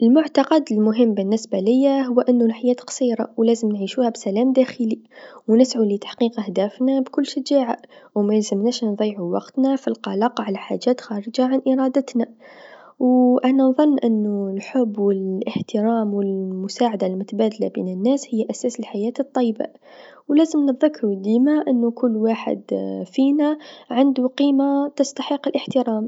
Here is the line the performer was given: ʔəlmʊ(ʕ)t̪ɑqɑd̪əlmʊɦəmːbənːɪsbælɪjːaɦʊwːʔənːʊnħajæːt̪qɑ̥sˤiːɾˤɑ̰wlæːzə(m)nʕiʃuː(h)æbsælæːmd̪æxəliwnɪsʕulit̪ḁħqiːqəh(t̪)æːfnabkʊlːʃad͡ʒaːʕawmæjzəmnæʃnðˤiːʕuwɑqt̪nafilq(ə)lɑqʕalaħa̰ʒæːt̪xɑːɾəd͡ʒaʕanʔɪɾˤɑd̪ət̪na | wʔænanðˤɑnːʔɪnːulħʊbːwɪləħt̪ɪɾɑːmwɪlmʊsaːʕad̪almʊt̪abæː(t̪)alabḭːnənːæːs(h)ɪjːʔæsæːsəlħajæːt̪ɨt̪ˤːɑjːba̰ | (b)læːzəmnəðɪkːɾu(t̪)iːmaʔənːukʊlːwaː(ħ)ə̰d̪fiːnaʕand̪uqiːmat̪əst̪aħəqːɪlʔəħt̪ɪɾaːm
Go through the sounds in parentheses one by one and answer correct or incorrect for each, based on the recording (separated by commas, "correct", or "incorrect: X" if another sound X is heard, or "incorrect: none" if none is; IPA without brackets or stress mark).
correct, correct, correct, incorrect: d̪, incorrect: ɑ, incorrect: d̪, correct, incorrect: w, incorrect: d̪, correct